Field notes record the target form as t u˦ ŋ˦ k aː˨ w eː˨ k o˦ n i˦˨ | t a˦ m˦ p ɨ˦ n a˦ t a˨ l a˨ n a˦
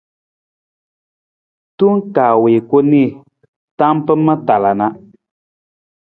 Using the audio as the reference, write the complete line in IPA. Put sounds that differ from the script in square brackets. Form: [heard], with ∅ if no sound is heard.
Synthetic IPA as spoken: t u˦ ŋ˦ k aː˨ w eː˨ k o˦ n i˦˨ | t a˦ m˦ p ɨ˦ [m] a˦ t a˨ l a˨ n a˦